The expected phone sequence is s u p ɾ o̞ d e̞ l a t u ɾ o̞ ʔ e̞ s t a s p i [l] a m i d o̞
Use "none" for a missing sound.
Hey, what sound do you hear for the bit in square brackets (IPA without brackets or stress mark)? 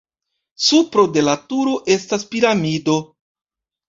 ɾ